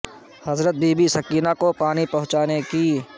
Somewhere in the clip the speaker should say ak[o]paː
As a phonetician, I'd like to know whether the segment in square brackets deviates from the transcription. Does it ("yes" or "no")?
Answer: no